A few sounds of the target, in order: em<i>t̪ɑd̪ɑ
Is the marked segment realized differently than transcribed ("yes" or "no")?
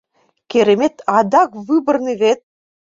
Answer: yes